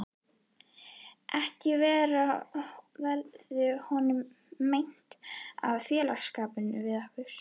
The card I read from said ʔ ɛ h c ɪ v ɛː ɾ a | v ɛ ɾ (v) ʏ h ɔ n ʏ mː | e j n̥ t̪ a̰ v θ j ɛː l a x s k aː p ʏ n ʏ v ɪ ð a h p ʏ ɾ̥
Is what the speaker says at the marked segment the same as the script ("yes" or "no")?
no